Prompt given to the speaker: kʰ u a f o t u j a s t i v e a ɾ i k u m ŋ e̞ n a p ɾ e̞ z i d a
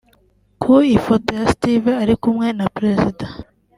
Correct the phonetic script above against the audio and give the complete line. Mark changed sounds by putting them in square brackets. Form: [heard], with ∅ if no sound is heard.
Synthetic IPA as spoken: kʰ u [i] f o t [o] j a s t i v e a ɾ i k u m ŋ e̞ n a p ɾ e̞ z i d a